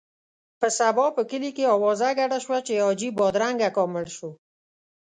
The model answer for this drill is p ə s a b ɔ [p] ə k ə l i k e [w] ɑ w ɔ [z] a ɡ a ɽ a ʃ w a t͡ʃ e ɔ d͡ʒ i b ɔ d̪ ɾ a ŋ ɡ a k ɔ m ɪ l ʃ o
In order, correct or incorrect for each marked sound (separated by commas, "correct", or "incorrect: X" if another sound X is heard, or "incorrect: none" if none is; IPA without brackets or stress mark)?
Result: correct, incorrect: none, correct